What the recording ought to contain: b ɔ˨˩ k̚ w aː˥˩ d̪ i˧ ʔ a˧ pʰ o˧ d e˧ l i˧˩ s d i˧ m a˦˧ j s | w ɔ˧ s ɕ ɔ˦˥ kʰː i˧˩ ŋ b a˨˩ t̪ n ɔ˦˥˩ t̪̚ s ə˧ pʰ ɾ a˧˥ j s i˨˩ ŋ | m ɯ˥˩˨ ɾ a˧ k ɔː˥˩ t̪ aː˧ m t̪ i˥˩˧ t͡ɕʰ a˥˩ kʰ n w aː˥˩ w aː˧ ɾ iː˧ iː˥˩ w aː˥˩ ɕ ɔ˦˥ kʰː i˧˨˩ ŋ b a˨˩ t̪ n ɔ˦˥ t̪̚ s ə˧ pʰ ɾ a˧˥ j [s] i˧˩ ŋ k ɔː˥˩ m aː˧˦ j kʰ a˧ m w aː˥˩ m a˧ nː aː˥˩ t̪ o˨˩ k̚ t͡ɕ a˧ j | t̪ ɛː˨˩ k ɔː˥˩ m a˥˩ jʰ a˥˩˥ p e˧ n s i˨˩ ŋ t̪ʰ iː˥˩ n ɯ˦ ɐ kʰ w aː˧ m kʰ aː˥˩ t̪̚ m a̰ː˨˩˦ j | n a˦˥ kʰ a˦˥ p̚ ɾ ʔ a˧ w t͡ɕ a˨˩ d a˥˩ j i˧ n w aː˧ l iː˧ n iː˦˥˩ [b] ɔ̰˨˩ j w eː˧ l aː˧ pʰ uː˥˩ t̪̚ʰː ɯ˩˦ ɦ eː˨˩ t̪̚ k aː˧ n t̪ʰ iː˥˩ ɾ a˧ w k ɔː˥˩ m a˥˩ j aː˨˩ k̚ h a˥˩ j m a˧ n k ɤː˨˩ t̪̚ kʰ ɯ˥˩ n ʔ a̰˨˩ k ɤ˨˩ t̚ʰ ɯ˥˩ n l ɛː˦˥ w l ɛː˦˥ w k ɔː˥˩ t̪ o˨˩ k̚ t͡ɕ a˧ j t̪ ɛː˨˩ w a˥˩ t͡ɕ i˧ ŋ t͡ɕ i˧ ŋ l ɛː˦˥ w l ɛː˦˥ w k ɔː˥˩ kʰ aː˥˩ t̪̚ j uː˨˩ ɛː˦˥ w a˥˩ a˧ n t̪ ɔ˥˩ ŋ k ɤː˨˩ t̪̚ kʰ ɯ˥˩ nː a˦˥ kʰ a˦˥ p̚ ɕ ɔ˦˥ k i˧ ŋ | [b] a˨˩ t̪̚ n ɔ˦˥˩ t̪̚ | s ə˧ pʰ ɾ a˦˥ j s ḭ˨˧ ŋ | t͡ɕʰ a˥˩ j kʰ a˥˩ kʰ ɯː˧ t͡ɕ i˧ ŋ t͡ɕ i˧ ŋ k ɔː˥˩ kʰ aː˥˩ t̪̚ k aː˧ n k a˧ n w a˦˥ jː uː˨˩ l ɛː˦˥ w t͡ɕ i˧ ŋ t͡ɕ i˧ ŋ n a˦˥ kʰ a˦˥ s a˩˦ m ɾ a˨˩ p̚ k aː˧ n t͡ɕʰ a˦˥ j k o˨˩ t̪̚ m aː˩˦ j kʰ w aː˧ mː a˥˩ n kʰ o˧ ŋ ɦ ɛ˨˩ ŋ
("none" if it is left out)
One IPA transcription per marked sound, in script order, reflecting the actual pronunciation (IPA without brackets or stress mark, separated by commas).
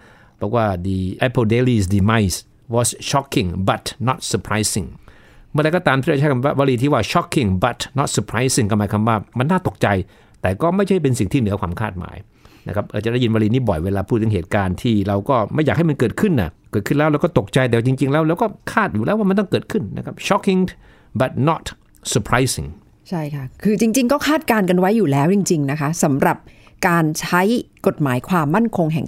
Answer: s, b, b